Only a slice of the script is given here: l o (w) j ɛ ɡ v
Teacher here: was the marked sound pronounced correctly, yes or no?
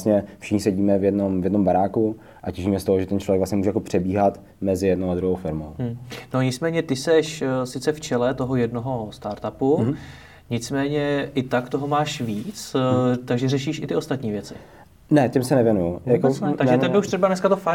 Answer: no